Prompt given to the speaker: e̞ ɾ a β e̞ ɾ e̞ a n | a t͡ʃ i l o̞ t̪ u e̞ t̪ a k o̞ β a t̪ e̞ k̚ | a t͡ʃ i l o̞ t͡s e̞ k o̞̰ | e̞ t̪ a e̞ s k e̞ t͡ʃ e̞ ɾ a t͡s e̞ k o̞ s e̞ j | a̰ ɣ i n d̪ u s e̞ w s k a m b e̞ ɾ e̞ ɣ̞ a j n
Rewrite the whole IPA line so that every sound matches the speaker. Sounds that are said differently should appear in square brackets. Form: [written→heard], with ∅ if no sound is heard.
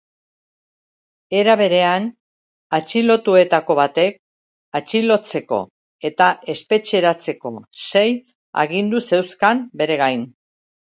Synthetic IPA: e̞ ɾ a β e̞ ɾ e̞ a n | a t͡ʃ i l o̞ t̪ u e̞ t̪ a k o̞ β a t̪ e̞ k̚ | a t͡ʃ i l o̞ t͡s e̞ k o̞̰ | e̞ t̪ a e̞ s [k→p] e̞ t͡ʃ e̞ ɾ a t͡s e̞ k o̞ s e̞ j | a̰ ɣ i n d̪ u s e̞ w s k a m b e̞ ɾ e̞ ɣ̞ a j n